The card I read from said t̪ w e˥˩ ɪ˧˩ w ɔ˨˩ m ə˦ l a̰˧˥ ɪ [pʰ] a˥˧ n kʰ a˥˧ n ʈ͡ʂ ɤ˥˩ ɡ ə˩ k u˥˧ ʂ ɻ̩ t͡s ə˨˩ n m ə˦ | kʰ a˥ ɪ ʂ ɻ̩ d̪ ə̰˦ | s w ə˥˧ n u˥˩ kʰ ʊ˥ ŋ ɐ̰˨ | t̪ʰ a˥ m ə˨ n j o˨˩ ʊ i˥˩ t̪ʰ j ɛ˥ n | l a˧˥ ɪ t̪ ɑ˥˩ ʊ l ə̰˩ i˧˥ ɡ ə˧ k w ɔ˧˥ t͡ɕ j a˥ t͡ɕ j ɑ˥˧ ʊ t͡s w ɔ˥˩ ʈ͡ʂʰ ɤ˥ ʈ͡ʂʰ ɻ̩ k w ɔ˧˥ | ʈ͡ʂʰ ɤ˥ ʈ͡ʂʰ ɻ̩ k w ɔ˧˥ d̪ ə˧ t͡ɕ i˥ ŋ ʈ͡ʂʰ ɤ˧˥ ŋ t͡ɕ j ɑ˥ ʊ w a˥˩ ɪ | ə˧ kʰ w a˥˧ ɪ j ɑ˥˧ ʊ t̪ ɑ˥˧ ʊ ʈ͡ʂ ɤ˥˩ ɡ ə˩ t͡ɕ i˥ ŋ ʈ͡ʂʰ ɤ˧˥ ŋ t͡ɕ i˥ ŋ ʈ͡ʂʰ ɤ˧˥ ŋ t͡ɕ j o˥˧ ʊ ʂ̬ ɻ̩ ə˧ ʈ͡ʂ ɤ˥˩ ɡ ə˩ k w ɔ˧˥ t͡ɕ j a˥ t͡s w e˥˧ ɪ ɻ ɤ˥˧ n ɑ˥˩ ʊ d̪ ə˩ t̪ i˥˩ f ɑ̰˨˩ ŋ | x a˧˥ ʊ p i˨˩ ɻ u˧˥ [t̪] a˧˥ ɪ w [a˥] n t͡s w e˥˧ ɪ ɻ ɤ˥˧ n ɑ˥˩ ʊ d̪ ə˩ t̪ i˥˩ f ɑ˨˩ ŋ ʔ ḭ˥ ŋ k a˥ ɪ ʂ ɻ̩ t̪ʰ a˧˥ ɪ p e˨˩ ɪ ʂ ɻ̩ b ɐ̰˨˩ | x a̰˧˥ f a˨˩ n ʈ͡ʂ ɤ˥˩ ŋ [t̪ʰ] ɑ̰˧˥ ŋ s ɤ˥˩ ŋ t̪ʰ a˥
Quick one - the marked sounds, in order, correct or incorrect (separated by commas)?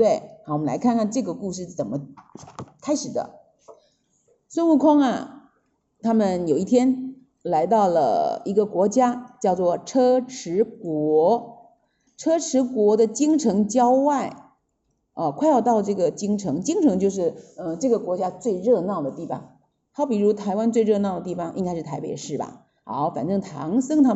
incorrect, incorrect, correct, correct